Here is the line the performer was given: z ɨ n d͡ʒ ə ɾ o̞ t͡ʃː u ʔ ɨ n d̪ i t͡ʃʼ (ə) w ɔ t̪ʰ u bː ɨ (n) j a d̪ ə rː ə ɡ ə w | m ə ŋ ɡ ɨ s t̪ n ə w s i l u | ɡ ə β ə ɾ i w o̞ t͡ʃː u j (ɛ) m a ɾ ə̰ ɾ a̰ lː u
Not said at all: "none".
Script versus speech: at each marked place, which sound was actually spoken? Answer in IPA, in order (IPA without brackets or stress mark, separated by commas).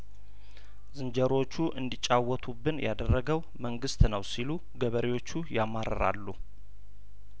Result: a, n, a